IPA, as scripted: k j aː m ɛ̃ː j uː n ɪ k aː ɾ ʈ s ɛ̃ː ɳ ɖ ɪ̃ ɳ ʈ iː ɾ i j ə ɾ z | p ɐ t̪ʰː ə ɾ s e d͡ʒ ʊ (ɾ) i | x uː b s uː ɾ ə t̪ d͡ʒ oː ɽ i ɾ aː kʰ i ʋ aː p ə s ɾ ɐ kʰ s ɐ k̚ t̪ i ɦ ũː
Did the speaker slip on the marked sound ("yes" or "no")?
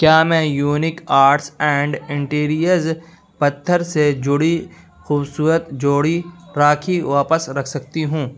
yes